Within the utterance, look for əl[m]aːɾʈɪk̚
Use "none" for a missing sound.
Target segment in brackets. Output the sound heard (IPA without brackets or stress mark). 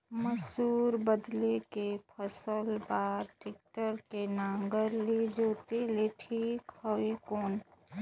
b